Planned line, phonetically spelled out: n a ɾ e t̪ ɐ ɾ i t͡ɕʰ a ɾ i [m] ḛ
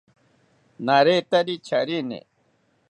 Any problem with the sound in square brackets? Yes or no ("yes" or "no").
yes